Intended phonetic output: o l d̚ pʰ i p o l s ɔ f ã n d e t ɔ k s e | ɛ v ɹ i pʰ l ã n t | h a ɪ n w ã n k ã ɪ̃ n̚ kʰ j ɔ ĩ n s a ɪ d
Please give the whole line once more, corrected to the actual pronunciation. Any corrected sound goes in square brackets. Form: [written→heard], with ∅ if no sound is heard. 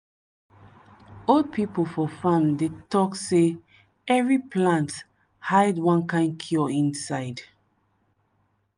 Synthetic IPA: o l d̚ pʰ i p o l [s→f] ɔ f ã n d e t ɔ k s e | ɛ v ɹ i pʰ l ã n t | h a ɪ [n→d] w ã n k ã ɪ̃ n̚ kʰ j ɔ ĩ n s a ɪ d